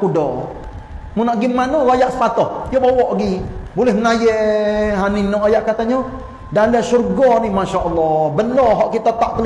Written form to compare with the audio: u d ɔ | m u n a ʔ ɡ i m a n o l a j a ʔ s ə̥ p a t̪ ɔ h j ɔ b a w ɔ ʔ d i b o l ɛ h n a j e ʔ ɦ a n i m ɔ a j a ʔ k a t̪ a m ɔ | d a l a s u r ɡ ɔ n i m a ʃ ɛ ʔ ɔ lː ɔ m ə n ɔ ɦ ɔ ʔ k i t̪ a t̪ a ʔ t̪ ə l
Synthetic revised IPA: u d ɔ | m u n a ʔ ɡ i m a n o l a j a ʔ s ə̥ p a t̪ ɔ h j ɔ b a w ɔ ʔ ɡ i b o l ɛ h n a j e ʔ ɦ a n i n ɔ a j a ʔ k a t̪ a ɲ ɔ | d a l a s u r ɡ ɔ n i m a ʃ a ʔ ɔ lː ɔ b ə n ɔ ɦ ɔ ʔ k i t̪ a t̪ a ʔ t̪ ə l